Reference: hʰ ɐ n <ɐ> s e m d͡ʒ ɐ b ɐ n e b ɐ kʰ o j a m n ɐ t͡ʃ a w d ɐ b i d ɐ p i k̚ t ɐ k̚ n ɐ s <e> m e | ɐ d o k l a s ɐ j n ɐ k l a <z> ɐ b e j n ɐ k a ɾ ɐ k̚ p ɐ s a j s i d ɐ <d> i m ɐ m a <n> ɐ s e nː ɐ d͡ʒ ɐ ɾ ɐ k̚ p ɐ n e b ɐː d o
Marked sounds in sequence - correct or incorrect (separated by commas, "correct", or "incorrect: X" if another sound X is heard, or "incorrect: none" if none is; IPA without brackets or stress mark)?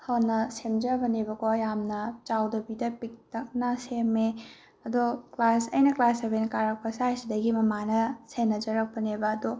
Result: correct, correct, incorrect: s, incorrect: ɡ, correct